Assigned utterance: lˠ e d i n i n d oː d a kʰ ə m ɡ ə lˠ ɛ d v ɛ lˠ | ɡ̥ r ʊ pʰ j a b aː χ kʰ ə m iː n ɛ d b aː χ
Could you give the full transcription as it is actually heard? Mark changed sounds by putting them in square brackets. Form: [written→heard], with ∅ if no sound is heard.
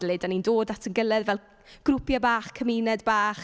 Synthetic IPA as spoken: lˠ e d [i→a] n i n d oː d a [kʰ→tʰ] ə [m→n] ɡ ə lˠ ɛ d v ɛ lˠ | ɡ̥ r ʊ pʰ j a b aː χ kʰ ə m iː n ɛ d b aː χ